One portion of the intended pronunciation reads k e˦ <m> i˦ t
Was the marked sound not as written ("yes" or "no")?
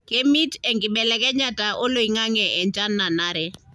no